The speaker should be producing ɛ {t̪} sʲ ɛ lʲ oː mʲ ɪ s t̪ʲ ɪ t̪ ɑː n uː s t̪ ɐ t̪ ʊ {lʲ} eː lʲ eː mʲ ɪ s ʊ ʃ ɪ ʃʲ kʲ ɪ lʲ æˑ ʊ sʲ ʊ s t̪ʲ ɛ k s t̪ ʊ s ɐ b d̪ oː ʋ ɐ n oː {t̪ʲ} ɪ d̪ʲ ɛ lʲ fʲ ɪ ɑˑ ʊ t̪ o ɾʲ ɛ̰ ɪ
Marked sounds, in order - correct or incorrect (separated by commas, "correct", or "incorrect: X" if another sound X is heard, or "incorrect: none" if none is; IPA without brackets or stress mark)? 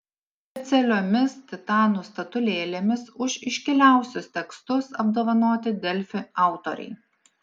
correct, correct, correct